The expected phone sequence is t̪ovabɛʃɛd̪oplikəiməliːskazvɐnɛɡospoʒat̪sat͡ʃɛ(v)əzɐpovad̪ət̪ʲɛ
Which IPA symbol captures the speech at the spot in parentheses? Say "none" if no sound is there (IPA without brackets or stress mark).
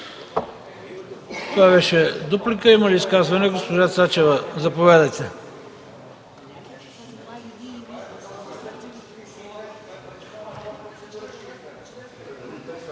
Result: v